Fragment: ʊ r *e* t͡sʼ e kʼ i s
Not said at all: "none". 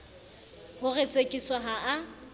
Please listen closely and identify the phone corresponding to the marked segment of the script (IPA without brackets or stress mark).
e